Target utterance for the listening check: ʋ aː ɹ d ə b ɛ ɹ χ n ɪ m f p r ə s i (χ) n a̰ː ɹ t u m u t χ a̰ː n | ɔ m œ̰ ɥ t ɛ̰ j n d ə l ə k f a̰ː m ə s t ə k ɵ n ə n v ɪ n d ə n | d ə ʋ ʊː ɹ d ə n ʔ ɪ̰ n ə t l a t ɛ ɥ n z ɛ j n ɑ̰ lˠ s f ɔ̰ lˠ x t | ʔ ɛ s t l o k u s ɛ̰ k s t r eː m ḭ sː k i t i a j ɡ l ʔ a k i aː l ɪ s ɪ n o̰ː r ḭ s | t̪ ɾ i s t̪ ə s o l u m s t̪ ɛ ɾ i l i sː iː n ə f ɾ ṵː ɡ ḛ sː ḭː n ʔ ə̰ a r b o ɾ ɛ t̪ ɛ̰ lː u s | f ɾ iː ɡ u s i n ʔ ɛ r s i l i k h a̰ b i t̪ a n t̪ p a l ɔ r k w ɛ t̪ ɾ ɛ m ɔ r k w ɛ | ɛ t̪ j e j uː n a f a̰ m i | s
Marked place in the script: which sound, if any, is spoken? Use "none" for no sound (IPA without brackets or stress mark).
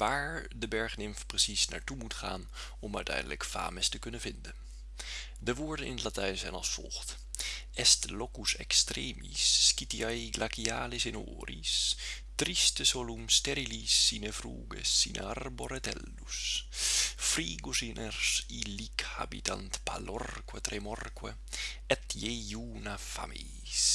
s